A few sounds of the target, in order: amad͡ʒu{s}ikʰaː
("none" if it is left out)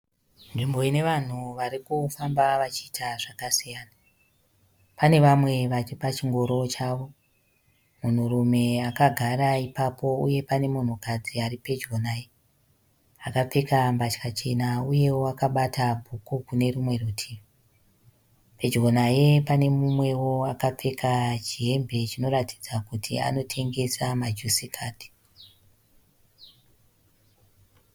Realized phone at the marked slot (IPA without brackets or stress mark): s